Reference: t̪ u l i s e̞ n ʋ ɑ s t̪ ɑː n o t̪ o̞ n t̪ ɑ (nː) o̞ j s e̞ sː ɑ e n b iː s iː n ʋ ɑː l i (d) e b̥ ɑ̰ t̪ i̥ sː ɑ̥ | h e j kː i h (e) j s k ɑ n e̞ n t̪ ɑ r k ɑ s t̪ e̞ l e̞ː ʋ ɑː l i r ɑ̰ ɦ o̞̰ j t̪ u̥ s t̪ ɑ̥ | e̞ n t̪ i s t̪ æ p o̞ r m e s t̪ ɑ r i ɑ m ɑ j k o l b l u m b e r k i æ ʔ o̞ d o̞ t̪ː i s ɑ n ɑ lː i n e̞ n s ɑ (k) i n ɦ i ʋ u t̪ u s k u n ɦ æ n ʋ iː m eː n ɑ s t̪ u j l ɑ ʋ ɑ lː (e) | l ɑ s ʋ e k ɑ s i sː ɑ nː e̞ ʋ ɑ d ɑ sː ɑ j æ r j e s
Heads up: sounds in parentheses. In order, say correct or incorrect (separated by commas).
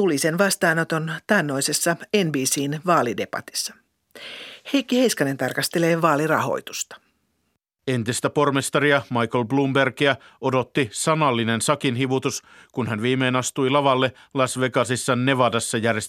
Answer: correct, correct, correct, correct, correct